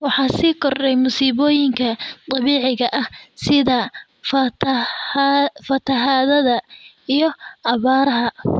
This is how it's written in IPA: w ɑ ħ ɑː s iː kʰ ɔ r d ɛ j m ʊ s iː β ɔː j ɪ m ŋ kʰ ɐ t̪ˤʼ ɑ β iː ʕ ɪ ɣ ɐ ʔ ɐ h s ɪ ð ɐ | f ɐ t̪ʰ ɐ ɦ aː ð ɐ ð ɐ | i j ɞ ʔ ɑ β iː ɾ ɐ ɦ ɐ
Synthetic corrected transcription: w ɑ ħ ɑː s iː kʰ ɔ r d ɛ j m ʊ s iː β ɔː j ɪ ŋ kʰ ɐ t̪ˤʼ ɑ β iː ʕ ɪ ɣ ɐ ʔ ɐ h s ɪ ð ɐ | f ɐ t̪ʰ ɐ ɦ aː ð ɐ ð ɐ | i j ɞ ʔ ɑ β aː ɾ ɐ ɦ ɐ